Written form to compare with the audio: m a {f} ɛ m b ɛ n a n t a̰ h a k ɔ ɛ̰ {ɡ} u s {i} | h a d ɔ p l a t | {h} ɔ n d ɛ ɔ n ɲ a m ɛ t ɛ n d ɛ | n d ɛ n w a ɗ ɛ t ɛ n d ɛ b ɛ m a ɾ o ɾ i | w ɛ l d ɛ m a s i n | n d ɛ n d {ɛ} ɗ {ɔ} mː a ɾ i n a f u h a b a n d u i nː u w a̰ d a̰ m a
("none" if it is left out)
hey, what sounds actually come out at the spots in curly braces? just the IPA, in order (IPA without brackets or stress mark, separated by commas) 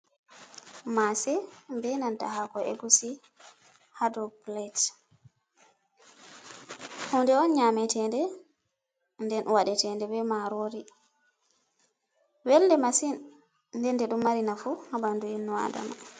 s, ɡ, i, h, ɛ, u